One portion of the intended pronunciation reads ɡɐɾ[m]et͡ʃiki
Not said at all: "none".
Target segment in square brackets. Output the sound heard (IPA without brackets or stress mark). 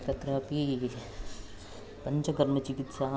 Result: m